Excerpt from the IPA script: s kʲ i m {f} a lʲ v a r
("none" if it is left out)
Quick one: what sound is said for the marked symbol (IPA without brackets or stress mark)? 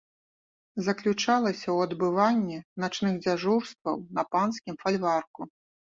f